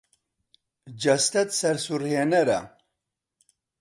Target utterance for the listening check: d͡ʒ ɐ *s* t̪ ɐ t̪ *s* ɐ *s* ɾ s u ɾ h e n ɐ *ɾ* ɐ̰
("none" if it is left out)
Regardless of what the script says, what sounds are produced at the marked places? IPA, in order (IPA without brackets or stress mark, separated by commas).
s, s, none, ɾ